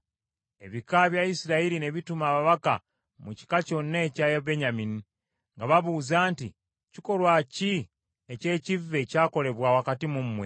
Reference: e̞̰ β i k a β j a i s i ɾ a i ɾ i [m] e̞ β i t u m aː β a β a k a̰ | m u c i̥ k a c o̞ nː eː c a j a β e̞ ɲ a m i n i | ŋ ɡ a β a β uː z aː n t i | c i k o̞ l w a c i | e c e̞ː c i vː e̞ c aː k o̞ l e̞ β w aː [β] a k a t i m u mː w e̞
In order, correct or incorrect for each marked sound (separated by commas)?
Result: incorrect, incorrect